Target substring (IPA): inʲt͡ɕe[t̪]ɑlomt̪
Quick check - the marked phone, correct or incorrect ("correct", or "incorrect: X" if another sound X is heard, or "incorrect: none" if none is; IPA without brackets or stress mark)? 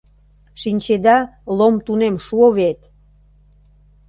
incorrect: d̪